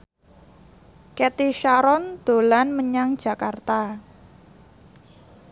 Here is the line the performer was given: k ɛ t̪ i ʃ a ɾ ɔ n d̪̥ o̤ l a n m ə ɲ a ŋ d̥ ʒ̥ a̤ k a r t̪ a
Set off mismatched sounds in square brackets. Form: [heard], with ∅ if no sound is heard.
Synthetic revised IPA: k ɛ t̪ i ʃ a ɾ ɔ n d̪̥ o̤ l a n m ə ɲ a ŋ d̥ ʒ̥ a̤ k a r t̪ a

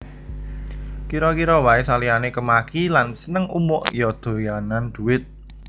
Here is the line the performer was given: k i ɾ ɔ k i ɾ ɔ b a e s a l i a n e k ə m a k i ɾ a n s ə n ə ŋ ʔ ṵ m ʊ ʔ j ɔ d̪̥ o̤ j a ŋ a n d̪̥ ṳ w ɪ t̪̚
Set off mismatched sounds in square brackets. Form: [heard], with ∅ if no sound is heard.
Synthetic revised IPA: k i ɾ ɔ k i ɾ ɔ [w] a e s a l i a n e k ə m a k i [l] a n s ə n ə ŋ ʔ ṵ m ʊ ʔ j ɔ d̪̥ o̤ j a [n] a n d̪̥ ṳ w ɪ t̪̚

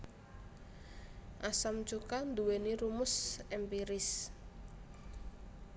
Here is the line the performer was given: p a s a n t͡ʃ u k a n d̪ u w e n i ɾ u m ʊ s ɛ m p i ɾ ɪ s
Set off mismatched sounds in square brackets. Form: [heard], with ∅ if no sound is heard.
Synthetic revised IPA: [ʔ] a s a [m] t͡ʃ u k a n d̪ u w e n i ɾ u m ʊ s ɛ m p i ɾ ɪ s

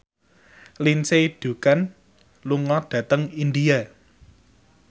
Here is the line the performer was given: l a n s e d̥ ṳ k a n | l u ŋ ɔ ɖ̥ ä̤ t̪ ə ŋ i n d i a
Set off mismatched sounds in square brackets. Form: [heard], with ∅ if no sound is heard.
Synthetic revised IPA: l [i] n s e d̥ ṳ k a n | l u ŋ ɔ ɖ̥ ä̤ t̪ ə ŋ i n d i a

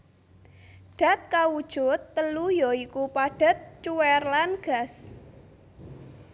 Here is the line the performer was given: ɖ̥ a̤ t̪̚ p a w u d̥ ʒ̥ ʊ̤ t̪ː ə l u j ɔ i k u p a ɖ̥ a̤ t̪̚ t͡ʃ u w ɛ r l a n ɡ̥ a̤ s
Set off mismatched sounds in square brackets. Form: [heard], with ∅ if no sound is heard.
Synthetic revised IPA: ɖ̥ a̤ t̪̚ [k] a w u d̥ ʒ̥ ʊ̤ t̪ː ə l u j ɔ i k u p a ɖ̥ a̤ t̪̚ t͡ʃ u w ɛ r l a n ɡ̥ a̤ s

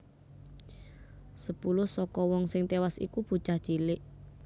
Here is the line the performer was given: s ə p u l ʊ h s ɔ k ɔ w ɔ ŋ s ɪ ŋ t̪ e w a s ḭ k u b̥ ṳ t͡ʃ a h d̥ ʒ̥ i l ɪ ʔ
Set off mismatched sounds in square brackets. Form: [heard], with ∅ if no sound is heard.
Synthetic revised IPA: s ə p u l ʊ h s ɔ k ɔ w ɔ ŋ s ɪ ŋ t̪ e w a s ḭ k u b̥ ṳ t͡ʃ a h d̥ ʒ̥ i l ɪ ʔ

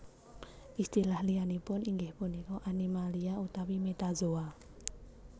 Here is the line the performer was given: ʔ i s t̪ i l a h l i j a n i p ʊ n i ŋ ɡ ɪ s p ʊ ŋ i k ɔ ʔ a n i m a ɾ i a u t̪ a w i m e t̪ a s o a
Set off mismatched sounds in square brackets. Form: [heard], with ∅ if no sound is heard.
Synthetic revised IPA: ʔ i s t̪ i l a h l i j a n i p ʊ n i ŋ ɡ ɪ [h] p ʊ [n] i k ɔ ʔ a n i m a [l] i a u t̪ a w i m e t̪ a [z] o a

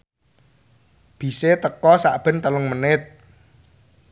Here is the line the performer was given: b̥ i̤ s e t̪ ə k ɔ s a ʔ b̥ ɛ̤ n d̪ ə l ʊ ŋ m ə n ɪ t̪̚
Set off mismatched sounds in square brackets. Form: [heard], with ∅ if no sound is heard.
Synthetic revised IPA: b̥ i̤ s e t̪ ə k ɔ s a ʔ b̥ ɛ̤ n [t̪] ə l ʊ ŋ m ə n ɪ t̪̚

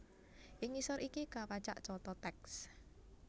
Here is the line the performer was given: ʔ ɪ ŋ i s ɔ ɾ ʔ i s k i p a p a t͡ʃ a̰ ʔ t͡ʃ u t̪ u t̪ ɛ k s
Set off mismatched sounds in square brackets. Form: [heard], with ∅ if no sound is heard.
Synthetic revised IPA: ʔ ɪ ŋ i s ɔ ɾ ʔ i [∅] k i [k] a p a t͡ʃ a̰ ʔ t͡ʃ [ɔ] t̪ [ɔ] t̪ ɛ k s

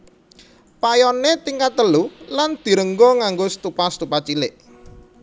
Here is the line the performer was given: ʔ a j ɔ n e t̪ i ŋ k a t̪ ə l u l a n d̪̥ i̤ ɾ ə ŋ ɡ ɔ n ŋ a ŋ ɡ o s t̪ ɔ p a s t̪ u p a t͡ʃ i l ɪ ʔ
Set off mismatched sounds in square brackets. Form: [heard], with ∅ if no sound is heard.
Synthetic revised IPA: [p] a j ɔ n e t̪ i ŋ k a t̪ ə l u l a n d̪̥ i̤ ɾ ə ŋ ɡ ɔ [∅] ŋ a ŋ ɡ o s t̪ [u] p a s t̪ u p a t͡ʃ i l ɪ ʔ

